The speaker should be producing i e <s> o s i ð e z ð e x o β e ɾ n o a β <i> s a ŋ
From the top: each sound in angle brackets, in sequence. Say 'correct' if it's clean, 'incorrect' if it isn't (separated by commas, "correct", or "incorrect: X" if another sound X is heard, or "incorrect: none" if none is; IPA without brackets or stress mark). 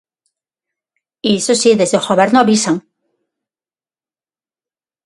correct, correct